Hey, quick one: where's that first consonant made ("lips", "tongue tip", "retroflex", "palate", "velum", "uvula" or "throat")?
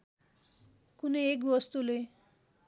velum